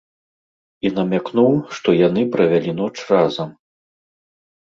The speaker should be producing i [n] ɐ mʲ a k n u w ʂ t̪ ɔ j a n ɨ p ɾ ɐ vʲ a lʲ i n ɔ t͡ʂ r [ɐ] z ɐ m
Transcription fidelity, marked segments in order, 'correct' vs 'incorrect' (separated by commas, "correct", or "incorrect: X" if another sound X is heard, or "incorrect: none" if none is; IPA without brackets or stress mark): correct, incorrect: a